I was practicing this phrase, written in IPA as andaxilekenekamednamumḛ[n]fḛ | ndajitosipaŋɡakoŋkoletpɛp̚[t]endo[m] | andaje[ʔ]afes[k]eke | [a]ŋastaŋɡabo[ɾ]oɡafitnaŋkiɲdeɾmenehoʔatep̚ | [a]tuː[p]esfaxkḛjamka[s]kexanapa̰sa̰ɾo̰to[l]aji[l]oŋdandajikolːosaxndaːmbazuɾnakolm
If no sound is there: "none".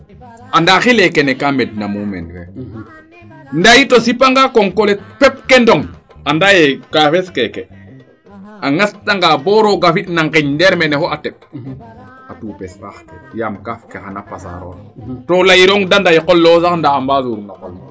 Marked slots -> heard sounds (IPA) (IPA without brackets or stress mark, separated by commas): n, k, ŋ, k, k, a, ɾ, a, p, f, l, ɾ